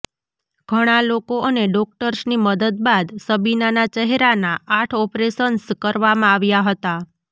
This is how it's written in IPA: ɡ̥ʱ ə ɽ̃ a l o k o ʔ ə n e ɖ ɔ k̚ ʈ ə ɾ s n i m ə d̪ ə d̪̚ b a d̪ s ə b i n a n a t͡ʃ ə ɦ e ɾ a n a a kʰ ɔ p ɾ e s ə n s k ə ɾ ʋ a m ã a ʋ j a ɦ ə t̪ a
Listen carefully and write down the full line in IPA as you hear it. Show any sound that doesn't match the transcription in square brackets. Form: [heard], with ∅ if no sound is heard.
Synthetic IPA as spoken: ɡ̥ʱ ə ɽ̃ a l o k o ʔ ə n e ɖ ɔ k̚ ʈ ə ɾ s n i m ə d̪ ə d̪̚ b a d̪ s ə b i n a n a t͡ʃ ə ɦ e ɾ a n a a [ʈʰ] ɔ p ɾ e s ə n s k ə ɾ ʋ a m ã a ʋ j a ɦ ə t̪ a